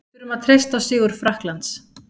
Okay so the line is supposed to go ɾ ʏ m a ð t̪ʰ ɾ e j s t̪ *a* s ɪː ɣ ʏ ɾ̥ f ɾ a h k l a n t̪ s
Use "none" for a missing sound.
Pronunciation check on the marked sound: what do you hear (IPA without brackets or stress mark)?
a